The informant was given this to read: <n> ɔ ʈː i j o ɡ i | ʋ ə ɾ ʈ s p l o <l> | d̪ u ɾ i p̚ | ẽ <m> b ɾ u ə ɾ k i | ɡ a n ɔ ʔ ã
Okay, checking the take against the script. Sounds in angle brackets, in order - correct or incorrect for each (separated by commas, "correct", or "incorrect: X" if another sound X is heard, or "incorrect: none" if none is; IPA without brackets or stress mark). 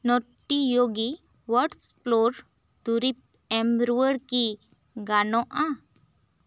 correct, incorrect: ɾ, correct